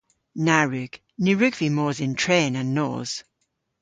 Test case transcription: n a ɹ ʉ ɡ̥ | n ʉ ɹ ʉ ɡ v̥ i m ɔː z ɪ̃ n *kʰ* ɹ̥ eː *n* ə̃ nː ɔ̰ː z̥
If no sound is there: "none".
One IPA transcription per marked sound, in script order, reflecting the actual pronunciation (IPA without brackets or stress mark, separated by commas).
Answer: tʰ, n